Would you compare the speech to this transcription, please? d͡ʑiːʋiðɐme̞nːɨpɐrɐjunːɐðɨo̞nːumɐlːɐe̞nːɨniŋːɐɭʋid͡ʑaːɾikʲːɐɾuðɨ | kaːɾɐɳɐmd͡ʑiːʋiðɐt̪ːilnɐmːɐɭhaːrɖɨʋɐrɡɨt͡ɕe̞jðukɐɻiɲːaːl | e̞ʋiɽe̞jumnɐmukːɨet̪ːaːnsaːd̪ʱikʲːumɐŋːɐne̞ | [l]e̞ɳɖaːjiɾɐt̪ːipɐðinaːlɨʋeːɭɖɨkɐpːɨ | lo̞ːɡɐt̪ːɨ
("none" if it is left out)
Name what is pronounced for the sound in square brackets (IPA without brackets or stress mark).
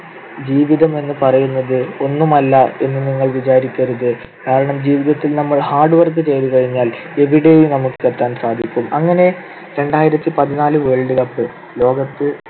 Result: ɾ